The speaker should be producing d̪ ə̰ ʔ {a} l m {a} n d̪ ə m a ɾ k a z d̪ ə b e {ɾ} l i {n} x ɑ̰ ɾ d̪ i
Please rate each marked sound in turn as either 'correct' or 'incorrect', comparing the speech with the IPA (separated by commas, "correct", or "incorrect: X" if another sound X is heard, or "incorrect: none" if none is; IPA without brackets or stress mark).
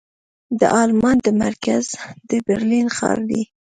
incorrect: ɑ, incorrect: ɑ, correct, correct